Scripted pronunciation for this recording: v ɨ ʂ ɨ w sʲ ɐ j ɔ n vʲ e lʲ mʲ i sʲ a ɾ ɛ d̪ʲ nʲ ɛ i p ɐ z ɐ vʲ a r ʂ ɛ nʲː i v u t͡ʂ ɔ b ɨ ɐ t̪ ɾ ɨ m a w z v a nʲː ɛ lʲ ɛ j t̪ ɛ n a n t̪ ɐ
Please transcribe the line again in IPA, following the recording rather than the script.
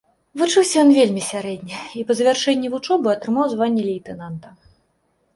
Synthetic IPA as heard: v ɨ t͡ʂ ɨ w sʲ ɐ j ɔ n vʲ e lʲ mʲ i sʲ a ɾ ɛ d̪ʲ nʲ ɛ i p ɐ z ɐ vʲ a r ʂ ɛ nʲː i v u t͡ʂ ɔ b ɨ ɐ t̪ ɾ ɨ m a w z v a nʲː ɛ lʲ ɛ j t̪ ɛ n a n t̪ ɐ